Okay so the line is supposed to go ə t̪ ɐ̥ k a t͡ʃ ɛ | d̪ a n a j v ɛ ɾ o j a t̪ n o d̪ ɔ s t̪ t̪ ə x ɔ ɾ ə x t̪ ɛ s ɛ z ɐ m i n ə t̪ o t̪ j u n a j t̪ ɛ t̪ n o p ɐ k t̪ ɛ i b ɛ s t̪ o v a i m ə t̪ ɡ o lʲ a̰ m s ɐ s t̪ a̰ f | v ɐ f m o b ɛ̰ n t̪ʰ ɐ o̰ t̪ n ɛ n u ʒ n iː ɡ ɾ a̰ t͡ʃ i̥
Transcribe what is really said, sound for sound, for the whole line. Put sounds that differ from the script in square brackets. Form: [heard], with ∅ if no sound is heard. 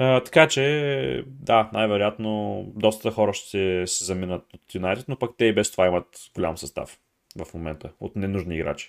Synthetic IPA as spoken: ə t̪ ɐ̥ k a t͡ʃ ɛ | d̪ a n a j v ɛ ɾ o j a t̪ n o d̪ ɔ s t̪ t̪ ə x ɔ ɾ ə [ʃ] t̪ ɛ s ɛ z ɐ m i n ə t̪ o t̪ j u n a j t̪ ɛ t̪ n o p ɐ k t̪ ɛ i b ɛ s t̪ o v a i m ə t̪ ɡ o lʲ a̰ m s ɐ s t̪ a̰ f | v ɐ f m o [m] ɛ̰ n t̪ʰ [ə] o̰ t̪ n ɛ n u ʒ n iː ɡ ɾ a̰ t͡ʃ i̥